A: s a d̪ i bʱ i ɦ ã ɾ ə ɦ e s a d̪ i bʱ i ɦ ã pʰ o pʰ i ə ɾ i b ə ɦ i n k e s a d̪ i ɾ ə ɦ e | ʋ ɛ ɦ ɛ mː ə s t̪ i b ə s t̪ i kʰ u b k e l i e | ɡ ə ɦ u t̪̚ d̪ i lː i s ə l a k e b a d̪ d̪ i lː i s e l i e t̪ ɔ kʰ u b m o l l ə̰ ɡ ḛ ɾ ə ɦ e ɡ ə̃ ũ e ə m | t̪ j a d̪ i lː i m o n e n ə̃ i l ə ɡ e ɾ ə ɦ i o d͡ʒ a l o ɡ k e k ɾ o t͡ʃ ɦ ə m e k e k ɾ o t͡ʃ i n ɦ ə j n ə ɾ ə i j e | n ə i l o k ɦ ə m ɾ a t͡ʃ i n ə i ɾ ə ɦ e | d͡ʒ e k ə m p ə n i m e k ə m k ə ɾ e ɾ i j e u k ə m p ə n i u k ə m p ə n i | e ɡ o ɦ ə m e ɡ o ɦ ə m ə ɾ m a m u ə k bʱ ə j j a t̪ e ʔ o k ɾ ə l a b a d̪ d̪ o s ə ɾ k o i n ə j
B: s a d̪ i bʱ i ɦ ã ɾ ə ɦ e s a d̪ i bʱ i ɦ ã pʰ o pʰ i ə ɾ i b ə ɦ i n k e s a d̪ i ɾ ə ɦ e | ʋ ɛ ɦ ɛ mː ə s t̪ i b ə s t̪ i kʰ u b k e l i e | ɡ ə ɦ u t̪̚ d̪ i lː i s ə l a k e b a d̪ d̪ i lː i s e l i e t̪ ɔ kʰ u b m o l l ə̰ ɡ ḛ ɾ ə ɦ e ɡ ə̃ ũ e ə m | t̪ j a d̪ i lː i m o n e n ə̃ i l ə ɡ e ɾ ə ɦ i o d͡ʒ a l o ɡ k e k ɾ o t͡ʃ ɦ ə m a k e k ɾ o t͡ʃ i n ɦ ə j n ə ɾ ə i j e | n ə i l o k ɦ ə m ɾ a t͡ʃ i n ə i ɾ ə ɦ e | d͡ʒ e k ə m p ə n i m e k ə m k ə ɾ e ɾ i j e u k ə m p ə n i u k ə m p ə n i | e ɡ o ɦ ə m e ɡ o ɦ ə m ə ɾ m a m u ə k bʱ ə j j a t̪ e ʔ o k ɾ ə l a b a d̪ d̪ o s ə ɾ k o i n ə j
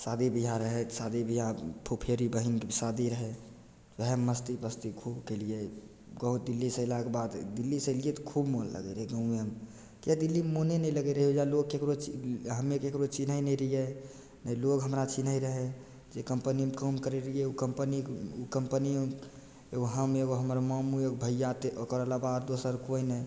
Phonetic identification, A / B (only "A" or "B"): A